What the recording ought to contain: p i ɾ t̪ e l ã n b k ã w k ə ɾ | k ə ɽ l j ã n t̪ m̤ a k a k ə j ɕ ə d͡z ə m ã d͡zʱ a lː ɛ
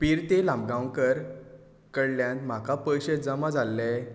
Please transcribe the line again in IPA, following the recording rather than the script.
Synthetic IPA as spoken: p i ɾ t̪ e l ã m b ɡ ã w k ə ɾ | k ə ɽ l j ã n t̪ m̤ a k a p ə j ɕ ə d͡z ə m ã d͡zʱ a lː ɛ